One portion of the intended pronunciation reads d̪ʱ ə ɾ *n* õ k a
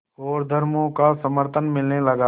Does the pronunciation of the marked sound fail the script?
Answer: yes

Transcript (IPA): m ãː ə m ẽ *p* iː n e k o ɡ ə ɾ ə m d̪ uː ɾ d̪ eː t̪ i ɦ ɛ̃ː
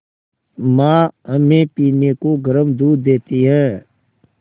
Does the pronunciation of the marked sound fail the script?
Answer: no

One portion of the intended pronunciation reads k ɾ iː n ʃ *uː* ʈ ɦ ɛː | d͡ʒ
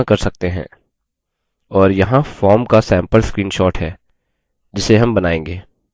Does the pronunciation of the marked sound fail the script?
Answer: yes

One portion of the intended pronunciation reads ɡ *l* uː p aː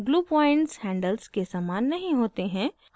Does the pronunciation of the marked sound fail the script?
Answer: no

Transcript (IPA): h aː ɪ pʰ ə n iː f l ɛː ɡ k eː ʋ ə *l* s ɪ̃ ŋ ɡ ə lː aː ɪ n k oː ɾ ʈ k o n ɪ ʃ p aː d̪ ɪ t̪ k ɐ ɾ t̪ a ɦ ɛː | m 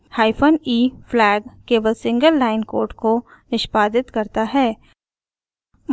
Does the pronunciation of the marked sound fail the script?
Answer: no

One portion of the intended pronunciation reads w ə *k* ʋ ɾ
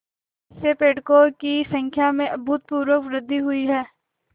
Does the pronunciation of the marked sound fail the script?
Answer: no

